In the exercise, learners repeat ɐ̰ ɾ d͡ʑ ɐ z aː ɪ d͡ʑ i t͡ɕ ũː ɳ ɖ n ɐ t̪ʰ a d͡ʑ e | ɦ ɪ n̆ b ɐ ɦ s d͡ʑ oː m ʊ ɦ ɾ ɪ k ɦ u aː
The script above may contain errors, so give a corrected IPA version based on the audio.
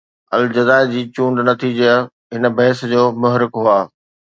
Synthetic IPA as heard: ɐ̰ l d͡ʑ ɐ z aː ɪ d͡ʑ iː t͡ɕ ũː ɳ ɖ n ɐ t̪ʰ i d͡ʑ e | ɦ ɪ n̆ b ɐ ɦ s d͡ʑ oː m ʊ ɦ ɾ ɪ k ɦ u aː